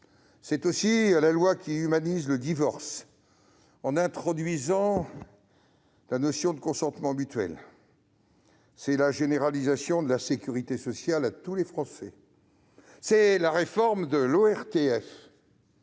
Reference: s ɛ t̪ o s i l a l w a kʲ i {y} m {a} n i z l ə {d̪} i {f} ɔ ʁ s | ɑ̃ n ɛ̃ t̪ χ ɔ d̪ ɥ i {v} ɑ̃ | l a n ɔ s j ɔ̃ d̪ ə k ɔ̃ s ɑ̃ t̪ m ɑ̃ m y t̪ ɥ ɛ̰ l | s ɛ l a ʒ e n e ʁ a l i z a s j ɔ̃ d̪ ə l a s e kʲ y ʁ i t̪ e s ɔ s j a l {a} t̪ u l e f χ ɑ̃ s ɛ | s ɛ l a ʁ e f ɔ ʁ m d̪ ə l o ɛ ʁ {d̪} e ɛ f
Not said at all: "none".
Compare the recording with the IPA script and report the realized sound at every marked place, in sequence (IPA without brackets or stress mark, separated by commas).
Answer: y, a, d̪, v, z, a, t̪